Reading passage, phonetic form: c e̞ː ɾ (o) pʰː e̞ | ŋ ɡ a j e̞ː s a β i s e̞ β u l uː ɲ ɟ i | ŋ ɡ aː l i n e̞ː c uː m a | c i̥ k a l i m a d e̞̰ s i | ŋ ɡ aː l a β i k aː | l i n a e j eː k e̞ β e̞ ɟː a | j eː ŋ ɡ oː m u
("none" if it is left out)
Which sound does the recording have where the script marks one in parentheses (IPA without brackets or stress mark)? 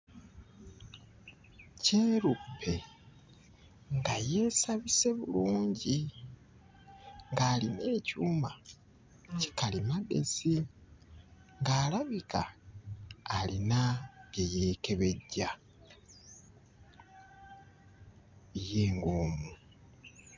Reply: u